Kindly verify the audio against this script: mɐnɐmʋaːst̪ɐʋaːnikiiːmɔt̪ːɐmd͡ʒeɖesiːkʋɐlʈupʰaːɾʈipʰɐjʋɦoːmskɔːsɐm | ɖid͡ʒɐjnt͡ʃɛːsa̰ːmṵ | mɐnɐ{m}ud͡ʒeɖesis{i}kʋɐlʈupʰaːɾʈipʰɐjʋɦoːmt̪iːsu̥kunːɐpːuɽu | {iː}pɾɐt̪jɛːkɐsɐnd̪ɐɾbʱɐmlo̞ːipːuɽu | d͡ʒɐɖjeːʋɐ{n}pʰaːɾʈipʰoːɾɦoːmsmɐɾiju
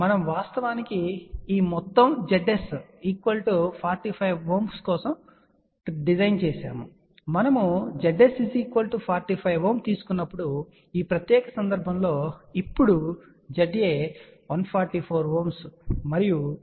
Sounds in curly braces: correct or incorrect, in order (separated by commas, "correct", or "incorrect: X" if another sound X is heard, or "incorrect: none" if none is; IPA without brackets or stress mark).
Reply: correct, incorrect: iː, correct, correct